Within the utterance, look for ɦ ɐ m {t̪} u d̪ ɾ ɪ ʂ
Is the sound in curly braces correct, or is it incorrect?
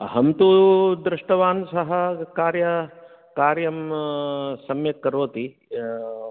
correct